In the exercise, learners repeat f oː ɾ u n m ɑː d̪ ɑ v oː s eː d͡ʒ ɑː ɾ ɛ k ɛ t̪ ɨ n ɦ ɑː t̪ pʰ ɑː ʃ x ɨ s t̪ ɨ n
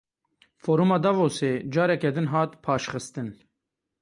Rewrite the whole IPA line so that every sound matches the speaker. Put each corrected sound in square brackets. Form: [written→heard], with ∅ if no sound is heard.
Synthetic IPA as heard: f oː ɾ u [n→∅] m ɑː d̪ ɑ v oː s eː d͡ʒ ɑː ɾ ɛ k ɛ [t̪→d̪] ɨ n ɦ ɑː t̪ pʰ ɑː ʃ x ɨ s t̪ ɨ n